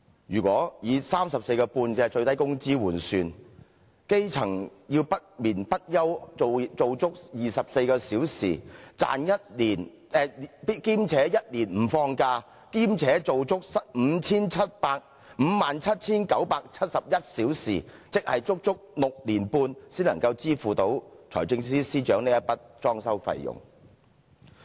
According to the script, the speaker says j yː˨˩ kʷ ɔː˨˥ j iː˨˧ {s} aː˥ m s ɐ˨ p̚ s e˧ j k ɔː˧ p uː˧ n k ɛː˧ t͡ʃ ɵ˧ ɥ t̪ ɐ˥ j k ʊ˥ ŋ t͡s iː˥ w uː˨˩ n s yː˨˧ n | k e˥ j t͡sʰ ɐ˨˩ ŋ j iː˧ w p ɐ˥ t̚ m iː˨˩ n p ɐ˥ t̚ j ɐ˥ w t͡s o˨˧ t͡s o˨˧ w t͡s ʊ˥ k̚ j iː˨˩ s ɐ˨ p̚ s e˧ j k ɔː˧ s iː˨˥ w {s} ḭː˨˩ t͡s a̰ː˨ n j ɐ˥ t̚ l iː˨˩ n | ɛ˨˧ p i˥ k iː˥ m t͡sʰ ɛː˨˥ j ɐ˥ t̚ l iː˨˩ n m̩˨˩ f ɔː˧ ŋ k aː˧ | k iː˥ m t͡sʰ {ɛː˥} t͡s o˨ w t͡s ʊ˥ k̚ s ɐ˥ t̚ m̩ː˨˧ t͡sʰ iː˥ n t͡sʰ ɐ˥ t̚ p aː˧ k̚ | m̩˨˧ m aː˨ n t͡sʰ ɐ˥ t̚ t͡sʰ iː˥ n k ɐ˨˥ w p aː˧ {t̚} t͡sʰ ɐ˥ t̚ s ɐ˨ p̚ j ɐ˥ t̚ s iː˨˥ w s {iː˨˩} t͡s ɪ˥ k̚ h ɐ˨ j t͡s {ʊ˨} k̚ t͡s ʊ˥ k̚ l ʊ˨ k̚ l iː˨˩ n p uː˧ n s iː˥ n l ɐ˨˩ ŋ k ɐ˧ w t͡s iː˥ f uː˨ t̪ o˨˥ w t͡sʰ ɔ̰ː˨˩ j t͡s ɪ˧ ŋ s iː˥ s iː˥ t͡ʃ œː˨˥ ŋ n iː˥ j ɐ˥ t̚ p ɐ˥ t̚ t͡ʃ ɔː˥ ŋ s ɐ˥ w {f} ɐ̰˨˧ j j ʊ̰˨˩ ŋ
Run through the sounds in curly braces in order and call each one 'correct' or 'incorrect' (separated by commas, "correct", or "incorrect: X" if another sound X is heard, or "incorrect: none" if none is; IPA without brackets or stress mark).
correct, correct, incorrect: ɛː˨˥, incorrect: k̚, correct, incorrect: ʊ˥, correct